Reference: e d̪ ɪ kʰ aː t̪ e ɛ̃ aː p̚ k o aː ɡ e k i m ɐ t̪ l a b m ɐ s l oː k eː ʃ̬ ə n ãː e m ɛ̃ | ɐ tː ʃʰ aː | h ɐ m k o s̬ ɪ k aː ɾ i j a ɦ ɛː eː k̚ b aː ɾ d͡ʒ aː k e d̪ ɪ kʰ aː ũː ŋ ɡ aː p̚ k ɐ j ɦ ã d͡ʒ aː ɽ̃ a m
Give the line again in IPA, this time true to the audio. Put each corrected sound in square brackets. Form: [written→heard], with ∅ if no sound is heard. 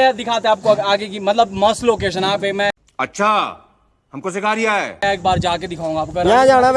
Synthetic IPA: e d̪ ɪ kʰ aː t̪ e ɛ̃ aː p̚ k o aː ɡ e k i m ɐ t̪ l [a→ə] b m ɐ s l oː k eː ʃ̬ ə n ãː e m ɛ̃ | ɐ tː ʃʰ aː | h ɐ m k o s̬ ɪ k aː ɾ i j a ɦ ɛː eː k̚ b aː ɾ d͡ʒ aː k e d̪ ɪ kʰ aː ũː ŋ ɡ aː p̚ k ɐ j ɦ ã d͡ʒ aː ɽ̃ a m